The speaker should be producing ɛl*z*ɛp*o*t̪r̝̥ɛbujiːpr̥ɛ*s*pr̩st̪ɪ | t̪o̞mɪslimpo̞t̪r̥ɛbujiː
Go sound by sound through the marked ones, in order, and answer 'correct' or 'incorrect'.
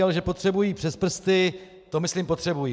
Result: incorrect: ʒ, correct, correct

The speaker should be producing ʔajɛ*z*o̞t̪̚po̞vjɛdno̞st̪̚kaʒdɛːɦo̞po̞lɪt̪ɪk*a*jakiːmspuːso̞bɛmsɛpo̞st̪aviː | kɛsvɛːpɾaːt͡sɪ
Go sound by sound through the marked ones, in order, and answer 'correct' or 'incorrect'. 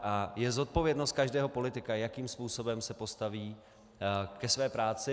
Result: correct, correct

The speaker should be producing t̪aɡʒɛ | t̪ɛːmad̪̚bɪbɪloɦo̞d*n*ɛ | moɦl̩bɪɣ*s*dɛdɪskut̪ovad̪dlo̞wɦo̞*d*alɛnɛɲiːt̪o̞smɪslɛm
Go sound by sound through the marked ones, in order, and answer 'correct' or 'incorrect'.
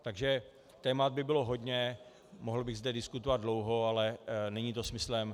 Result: incorrect: ɲ, incorrect: z, incorrect: none

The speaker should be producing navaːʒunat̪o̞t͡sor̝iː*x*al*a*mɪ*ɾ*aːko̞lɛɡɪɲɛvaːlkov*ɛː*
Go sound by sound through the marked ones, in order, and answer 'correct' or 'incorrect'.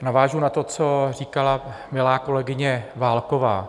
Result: incorrect: k, correct, incorrect: l, incorrect: aː

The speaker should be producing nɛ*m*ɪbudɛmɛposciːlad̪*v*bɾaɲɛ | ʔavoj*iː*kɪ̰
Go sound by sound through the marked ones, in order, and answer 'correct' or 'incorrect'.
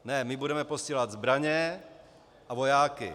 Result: correct, incorrect: z, incorrect: aː

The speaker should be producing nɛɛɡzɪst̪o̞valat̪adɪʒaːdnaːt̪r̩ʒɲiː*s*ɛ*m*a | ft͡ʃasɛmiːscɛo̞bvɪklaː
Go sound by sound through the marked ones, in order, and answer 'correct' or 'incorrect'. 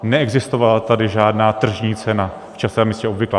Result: incorrect: t͡s, incorrect: n

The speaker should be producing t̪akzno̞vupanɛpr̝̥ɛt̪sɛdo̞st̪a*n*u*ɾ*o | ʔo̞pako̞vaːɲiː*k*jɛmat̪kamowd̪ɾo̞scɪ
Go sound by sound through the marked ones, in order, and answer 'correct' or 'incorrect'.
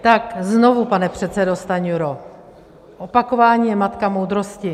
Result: incorrect: ɲ, correct, incorrect: none

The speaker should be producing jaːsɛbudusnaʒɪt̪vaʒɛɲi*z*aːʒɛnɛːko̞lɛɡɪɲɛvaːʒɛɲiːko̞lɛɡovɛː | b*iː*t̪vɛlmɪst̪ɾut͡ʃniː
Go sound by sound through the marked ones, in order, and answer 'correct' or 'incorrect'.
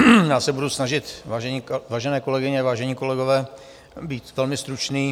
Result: incorrect: v, correct

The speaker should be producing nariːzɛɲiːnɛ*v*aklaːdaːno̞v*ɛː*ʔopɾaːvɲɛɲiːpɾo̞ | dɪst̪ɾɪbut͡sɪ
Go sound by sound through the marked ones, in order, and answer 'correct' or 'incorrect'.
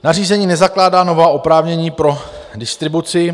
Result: incorrect: z, incorrect: aː

